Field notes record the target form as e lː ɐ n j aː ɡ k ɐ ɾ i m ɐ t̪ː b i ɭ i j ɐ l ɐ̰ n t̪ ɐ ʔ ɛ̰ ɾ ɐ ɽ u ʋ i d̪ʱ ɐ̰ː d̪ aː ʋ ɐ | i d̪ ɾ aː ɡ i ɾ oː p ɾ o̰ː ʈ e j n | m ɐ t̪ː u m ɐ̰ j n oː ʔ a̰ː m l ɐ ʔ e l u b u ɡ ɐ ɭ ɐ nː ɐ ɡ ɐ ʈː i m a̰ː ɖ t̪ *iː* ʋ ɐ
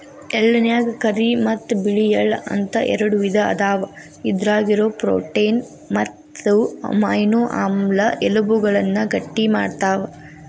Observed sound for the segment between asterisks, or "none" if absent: aː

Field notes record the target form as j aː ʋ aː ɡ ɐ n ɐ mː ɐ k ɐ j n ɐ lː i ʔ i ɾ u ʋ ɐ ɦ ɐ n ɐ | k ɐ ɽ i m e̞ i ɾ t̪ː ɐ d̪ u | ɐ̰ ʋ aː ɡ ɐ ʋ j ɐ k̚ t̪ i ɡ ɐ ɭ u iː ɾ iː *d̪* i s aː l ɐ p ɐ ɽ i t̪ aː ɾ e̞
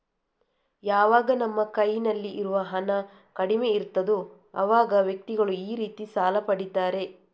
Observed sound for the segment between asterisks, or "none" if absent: t̪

